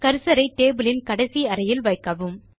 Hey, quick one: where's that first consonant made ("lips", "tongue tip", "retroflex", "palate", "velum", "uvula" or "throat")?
velum